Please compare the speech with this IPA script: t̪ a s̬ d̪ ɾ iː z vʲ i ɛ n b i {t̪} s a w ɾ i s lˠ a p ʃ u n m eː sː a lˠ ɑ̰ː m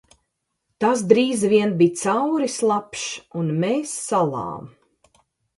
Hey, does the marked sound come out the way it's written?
yes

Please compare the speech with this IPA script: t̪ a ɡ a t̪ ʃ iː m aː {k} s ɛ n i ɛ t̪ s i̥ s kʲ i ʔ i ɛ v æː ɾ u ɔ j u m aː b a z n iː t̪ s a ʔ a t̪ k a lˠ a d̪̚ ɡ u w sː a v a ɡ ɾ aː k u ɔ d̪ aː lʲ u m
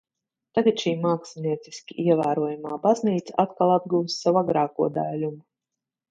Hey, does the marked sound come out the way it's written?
yes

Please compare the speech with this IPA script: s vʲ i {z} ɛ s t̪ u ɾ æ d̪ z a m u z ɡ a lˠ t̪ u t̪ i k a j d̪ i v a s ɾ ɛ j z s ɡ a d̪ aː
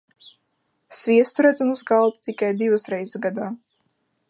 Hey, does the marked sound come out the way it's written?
no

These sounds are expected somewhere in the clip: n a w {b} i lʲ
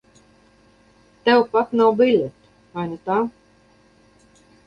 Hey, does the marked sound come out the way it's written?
yes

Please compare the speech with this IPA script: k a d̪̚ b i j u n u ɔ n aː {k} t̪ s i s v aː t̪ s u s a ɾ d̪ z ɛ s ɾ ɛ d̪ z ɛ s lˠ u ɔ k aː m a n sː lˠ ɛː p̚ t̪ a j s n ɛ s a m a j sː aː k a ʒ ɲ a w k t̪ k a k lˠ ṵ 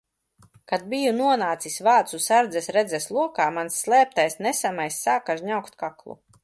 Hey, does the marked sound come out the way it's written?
no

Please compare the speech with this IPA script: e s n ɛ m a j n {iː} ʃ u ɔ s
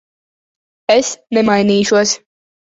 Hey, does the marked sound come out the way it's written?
yes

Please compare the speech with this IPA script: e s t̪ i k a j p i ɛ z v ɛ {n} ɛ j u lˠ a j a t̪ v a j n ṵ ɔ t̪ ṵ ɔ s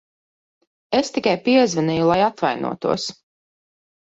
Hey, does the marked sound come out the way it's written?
yes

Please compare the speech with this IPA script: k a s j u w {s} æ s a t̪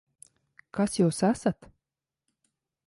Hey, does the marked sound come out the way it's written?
yes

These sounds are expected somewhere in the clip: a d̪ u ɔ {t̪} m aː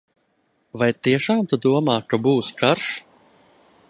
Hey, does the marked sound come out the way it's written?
no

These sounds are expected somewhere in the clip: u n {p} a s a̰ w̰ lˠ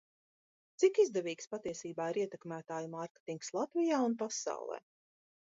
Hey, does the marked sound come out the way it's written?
yes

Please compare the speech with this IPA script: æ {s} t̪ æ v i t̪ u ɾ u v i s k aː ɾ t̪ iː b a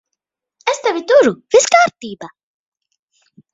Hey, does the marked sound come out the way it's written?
yes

